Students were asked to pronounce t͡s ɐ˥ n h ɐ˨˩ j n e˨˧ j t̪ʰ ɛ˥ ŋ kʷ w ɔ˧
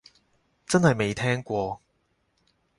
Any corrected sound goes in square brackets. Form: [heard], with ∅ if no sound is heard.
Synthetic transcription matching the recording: t͡s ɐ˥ n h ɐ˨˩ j [m] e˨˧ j t̪ʰ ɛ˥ ŋ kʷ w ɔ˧